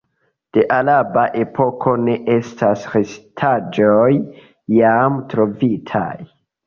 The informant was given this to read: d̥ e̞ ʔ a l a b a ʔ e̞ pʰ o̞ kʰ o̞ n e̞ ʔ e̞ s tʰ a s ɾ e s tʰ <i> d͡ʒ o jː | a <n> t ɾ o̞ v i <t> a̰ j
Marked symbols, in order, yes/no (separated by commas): no, no, no